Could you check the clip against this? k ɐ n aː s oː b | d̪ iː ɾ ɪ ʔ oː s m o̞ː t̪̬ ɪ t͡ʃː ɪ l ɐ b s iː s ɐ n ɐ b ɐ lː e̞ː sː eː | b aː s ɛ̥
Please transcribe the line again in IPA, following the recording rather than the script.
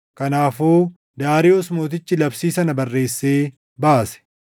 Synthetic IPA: k ɐ n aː f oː | d̪ aː ɾ ɪ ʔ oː s m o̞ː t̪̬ ɪ t͡ʃː ɪ l ɐ b s iː s ɐ n ɐ b ɐ rː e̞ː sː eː | b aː s ɛ̥